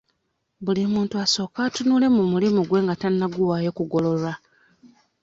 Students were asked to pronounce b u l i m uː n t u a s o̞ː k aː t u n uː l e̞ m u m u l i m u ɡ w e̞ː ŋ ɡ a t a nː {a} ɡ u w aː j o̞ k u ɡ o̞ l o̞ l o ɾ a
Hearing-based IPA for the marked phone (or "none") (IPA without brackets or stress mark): a